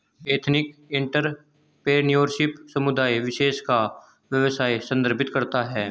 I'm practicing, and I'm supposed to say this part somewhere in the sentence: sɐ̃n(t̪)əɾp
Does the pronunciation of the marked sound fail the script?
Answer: yes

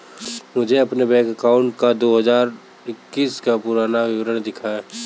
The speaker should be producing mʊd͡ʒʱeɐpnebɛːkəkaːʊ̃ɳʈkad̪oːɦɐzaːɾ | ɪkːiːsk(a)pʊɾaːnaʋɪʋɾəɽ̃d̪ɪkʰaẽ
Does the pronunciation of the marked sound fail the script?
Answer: no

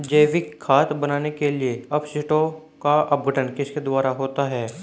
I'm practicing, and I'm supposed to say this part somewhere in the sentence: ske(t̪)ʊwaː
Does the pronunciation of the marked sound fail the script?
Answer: yes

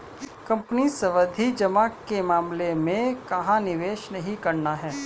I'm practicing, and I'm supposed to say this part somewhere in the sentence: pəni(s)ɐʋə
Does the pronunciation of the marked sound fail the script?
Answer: no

